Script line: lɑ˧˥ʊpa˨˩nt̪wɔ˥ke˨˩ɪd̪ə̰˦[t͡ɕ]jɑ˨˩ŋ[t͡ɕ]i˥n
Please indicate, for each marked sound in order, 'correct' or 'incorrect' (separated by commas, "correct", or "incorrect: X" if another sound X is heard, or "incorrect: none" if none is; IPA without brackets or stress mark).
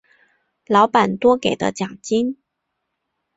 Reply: correct, correct